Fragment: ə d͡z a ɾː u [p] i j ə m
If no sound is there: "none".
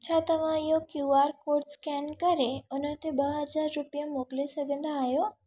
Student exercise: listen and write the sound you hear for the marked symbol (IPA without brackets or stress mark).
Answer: p